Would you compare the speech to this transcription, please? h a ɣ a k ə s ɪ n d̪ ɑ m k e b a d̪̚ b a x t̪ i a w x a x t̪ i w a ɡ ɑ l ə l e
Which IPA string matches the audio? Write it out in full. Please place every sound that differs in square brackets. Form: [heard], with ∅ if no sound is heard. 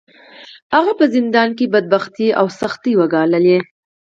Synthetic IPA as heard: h a ɣ a [p] ə [z] ɪ n d̪ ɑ [n] k e b a d̪̚ b a x t̪ i a w [s] a x t̪ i w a ɡ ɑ l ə l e